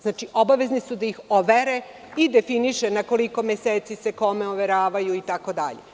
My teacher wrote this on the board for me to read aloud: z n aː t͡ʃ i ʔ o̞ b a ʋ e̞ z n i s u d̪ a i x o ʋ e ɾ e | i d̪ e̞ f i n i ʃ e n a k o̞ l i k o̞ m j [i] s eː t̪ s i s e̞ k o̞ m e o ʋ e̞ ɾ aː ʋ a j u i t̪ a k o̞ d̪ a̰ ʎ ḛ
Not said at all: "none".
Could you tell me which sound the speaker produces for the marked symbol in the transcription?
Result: e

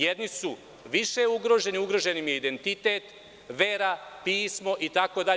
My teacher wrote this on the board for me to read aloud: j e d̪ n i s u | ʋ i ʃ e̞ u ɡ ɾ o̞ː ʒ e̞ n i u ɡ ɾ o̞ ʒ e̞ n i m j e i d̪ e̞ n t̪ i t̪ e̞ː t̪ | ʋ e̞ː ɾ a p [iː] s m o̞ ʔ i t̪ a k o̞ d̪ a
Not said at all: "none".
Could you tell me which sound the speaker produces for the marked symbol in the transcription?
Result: iː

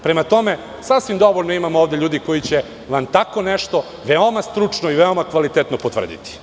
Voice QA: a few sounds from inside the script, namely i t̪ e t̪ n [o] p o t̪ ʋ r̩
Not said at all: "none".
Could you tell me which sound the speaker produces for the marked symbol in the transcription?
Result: o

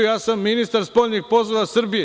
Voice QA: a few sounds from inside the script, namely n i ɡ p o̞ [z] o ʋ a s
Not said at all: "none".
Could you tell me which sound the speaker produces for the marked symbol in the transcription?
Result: z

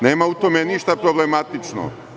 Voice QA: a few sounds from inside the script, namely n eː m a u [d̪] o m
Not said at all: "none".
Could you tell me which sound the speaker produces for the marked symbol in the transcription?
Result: t̪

